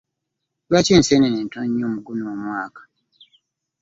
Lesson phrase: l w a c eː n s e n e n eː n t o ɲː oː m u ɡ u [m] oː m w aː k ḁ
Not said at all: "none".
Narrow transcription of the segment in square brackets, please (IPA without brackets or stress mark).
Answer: n